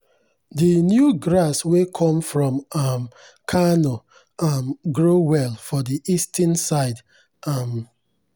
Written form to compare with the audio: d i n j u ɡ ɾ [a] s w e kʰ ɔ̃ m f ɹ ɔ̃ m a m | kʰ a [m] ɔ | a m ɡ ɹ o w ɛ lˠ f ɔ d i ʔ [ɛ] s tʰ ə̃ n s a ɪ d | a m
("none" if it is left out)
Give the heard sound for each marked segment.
a, n, i

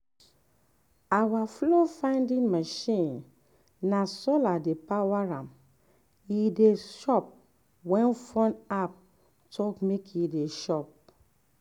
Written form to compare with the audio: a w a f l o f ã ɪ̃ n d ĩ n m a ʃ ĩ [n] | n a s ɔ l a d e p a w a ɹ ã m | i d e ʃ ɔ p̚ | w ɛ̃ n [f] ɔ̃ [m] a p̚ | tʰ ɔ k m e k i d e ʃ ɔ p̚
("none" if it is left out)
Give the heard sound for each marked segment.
n, f, n

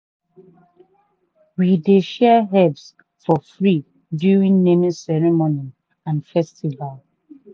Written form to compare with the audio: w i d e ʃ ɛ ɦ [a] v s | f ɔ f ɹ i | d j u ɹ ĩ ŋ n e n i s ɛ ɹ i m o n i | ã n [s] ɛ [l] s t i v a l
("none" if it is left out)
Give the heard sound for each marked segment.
ɛ, f, none

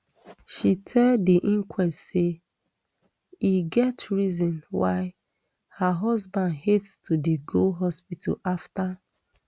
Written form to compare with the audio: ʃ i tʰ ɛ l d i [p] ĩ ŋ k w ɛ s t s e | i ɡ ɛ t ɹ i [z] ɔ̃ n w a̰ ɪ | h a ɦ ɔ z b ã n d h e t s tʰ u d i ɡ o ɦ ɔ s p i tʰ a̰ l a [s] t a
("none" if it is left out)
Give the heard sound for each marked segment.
ʔ, z, f

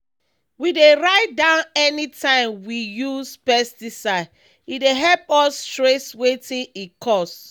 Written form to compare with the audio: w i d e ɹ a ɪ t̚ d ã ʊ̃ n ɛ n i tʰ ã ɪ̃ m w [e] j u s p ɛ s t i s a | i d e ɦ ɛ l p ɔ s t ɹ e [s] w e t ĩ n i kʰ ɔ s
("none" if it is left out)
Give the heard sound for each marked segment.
i, s

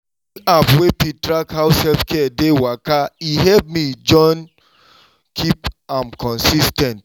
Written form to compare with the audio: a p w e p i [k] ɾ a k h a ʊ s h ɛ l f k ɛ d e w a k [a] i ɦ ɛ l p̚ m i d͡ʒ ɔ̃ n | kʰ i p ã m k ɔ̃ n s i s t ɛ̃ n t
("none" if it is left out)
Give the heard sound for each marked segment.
t, a

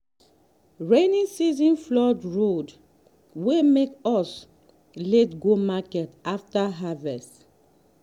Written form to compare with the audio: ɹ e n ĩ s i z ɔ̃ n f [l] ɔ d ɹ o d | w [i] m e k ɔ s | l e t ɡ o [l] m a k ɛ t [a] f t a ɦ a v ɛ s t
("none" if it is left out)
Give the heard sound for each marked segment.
l, e, none, a

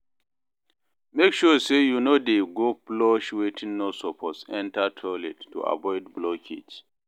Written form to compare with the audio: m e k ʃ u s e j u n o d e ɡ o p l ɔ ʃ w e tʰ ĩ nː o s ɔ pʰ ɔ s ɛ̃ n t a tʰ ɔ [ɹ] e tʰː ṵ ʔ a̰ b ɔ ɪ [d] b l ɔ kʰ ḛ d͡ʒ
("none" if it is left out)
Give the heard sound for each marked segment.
l, d

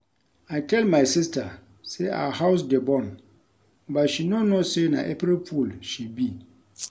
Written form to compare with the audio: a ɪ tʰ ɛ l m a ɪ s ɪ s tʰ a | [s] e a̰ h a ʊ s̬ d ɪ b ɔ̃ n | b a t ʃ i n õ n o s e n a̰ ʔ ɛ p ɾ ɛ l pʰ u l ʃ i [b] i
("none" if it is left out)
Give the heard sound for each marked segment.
s, b

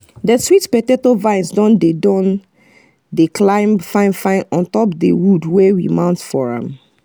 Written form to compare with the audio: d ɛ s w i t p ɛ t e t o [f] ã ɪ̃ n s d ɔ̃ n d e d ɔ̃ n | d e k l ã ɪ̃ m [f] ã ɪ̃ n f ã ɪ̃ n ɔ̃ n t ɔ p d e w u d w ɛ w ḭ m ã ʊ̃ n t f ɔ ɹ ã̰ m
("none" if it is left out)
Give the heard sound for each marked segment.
v, f

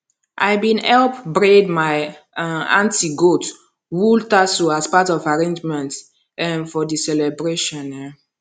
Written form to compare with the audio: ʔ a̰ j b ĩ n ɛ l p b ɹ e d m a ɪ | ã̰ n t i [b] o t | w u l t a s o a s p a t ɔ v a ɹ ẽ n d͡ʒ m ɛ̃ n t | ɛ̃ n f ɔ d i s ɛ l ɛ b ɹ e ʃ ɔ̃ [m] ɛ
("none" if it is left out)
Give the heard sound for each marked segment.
ɡ, n

